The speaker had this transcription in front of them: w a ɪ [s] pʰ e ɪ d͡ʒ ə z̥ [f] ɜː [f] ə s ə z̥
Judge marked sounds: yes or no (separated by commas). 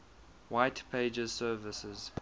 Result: no, no, no